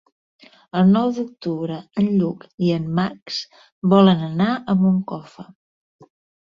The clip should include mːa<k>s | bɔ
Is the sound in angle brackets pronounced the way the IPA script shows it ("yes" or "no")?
yes